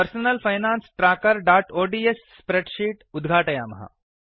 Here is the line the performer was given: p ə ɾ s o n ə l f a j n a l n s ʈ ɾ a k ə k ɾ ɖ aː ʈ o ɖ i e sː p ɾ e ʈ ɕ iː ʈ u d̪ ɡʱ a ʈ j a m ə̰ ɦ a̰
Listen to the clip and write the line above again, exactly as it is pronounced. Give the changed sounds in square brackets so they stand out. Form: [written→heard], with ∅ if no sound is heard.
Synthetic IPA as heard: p ə ɾ s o n ə l f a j n a [l→∅] n s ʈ ɾ a k ə [k→∅] ɾ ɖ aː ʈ o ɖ i e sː p ɾ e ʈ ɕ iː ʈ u d̪ ɡʱ a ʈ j a m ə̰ ɦ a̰